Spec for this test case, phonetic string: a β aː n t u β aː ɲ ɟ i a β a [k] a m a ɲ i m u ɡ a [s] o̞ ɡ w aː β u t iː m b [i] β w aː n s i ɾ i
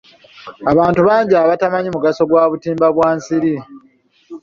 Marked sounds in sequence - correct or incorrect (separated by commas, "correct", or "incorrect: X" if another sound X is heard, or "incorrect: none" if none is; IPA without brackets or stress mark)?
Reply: incorrect: t, correct, incorrect: a